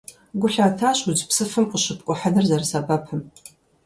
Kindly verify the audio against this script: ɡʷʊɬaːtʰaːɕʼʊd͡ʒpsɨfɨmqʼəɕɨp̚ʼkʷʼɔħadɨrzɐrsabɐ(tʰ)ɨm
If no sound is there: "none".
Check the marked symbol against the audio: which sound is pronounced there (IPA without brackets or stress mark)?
pʰ